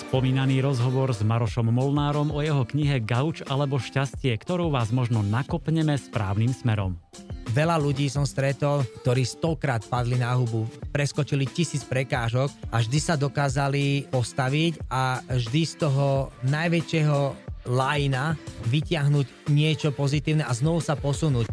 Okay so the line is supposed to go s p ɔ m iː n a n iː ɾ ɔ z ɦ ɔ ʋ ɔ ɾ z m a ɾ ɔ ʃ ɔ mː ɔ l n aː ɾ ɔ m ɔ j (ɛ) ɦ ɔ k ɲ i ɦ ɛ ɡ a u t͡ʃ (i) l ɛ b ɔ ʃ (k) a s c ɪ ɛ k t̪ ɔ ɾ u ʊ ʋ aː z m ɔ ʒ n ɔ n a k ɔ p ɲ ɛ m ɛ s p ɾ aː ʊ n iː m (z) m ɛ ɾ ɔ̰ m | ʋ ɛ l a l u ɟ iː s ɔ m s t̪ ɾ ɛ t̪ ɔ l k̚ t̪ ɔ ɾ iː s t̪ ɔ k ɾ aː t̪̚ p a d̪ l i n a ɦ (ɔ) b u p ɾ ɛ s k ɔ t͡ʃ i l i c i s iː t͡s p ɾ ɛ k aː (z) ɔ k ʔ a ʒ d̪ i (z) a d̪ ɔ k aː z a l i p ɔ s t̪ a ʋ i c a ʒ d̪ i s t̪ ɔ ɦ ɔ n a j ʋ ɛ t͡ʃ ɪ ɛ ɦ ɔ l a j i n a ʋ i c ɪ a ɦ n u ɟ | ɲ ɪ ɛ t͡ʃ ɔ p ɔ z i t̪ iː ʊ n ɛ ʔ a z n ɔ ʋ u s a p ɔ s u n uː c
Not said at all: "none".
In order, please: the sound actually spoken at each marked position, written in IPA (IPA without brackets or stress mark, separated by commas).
ɛ, a, c, s, u, ʒ, s